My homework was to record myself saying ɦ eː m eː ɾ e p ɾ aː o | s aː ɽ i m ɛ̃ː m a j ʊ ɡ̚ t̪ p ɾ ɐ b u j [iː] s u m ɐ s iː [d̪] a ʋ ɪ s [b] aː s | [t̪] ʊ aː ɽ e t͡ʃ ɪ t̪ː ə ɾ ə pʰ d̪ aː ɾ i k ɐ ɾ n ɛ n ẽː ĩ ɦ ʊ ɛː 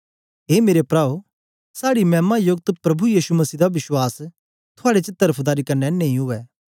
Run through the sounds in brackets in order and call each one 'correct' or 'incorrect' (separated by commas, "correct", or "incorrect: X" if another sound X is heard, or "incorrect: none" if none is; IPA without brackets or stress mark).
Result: correct, correct, incorrect: w, incorrect: t̪ʰ